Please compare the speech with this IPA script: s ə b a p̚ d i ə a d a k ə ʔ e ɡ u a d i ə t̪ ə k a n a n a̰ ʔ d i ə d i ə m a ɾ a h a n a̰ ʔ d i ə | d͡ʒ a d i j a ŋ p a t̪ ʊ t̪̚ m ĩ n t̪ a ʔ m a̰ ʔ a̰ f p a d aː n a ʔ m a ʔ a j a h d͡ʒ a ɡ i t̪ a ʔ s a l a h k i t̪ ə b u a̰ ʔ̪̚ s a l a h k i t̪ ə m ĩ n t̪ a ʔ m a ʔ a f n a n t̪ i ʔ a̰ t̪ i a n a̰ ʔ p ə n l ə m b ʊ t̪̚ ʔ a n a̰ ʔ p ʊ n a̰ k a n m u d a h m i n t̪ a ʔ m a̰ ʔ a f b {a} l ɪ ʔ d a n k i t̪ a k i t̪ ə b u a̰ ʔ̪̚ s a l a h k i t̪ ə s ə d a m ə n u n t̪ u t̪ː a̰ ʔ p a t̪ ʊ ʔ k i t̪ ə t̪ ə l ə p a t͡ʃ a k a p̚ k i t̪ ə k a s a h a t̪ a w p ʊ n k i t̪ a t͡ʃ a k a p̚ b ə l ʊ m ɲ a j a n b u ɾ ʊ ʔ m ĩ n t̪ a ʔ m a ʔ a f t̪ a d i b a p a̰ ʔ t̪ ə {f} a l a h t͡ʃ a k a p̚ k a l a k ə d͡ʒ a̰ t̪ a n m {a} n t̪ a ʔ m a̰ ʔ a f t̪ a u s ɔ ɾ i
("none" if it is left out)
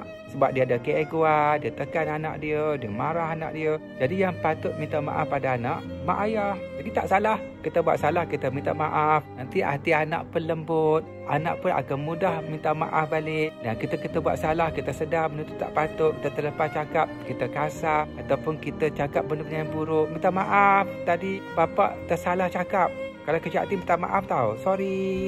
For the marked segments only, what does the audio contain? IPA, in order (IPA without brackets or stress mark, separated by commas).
a, s, i